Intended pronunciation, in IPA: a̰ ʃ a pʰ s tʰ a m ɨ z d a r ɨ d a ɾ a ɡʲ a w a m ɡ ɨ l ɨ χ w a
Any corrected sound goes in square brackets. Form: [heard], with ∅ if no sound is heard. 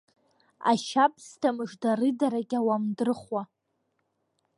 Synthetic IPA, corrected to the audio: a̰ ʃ a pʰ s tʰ a m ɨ [ʐ] d a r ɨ d a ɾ a ɡʲ a w a m [d] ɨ [r] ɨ χ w a